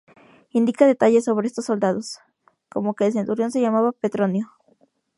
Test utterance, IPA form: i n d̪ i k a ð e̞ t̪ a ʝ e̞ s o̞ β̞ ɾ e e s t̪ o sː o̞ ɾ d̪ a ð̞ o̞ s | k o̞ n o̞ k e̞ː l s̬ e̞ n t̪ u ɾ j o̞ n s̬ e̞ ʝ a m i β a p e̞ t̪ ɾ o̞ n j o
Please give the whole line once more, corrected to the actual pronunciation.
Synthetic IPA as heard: i n d̪ i k a ð e̞ t̪ a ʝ e̞ s o̞ β̞ ɾ e e s t̪ o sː o̞ l d̪ a ð̞ o̞ s | k o̞ m o̞ k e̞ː l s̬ e̞ n t̪ u ɾ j o̞ n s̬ e̞ ʝ a m a β a p e̞ t̪ ɾ o̞ n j o